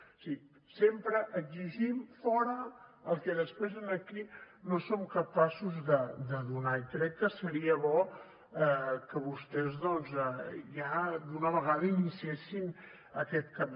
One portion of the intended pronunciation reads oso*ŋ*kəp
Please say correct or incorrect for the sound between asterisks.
incorrect